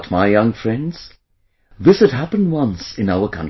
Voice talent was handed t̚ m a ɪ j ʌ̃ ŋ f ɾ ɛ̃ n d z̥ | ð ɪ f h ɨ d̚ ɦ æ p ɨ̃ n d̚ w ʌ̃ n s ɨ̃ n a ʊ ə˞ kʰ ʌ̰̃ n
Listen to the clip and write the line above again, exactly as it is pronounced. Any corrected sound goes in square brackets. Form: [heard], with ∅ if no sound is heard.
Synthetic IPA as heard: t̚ m a ɪ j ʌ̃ ŋ f [ɹ] ɛ̃ n d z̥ | ð ɪ [s] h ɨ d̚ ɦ æ p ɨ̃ n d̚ w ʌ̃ n s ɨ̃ n a ʊ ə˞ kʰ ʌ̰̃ n